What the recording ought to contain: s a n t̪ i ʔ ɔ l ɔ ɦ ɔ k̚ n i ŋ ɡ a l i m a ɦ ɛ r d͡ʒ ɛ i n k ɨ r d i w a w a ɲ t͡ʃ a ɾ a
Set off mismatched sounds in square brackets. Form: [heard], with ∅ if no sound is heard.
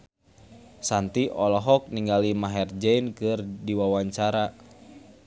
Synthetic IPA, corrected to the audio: s a n t̪ i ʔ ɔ l ɔ ɦ ɔ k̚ n i ŋ ɡ a l i m a ɦ ɛ r d͡ʒ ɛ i n k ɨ r d i w a w a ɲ t͡ʃ a ɾ a